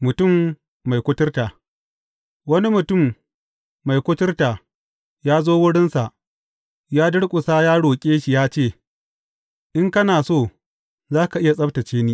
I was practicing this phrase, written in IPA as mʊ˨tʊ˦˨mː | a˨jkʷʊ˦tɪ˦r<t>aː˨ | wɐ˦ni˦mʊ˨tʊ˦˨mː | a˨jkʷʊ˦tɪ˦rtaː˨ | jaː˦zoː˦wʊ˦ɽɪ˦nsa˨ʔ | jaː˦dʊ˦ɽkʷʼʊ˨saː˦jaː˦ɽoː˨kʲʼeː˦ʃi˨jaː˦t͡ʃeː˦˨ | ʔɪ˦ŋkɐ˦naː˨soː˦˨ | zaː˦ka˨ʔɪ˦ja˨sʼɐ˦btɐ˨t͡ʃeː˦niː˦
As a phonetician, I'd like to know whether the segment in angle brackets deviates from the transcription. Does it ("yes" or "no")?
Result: no